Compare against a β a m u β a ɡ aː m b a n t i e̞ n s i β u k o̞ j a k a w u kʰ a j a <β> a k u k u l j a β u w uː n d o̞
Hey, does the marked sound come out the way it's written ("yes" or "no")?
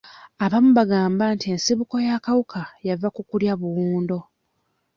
no